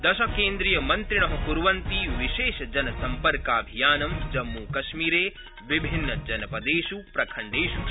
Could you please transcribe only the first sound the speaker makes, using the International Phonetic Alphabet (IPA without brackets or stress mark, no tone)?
d̪